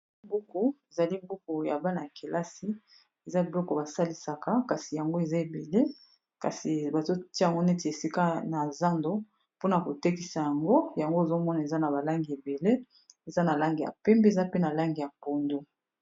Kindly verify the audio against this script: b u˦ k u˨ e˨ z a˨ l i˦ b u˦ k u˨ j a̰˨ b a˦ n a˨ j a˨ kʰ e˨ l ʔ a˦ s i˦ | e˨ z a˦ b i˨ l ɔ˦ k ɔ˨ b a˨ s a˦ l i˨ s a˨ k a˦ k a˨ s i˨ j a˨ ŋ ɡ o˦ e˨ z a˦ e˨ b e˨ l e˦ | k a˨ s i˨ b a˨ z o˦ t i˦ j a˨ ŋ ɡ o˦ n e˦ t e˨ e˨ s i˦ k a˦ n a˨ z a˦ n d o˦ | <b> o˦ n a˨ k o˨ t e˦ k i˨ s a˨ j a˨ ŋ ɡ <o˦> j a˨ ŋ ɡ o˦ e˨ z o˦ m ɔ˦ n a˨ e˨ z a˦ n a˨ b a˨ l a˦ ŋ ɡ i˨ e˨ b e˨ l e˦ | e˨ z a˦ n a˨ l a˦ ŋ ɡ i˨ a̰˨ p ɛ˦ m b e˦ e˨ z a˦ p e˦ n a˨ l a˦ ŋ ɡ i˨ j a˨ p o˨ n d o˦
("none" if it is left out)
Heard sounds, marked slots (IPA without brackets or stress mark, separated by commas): p, o˦